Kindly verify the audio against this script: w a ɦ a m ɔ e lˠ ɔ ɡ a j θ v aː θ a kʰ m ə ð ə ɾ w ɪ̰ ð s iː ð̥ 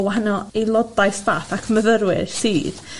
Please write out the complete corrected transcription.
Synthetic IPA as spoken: w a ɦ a n ɔ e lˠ ɔ d a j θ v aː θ a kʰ m ə ð ə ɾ w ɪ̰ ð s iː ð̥